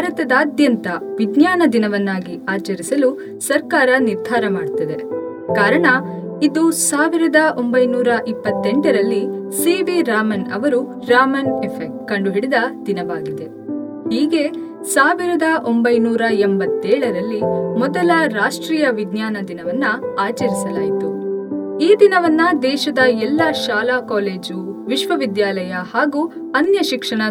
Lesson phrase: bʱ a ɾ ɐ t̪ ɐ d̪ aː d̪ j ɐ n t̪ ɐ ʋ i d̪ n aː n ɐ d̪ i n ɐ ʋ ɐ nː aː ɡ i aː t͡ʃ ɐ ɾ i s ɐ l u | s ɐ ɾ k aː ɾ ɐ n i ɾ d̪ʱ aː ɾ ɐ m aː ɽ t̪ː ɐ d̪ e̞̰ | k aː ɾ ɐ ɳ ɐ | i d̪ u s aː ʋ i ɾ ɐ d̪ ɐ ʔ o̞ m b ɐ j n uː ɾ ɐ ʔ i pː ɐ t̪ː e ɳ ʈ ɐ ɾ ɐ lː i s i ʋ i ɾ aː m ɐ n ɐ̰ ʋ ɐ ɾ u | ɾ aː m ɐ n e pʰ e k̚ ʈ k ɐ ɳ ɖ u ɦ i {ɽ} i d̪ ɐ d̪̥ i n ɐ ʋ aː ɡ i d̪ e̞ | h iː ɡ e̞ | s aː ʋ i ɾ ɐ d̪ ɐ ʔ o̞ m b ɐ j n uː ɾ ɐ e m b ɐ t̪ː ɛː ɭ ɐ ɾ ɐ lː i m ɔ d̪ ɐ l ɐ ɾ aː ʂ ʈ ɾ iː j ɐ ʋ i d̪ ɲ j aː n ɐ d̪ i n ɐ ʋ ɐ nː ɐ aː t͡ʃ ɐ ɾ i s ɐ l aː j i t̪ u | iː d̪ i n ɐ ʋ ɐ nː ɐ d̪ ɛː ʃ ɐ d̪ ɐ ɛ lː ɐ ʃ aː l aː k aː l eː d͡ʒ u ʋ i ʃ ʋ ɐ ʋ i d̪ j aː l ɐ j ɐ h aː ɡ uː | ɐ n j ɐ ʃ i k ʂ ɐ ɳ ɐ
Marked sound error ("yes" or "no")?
no